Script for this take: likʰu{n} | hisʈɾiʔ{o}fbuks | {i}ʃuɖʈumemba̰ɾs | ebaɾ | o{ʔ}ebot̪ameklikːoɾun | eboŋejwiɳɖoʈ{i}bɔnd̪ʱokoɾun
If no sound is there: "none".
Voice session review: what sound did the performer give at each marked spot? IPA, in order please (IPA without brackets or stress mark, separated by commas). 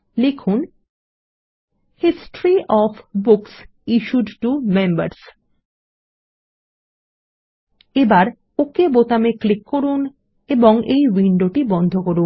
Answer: n, ɔ, i, k, i